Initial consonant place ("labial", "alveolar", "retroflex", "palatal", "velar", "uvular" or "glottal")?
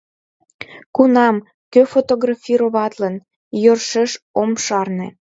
velar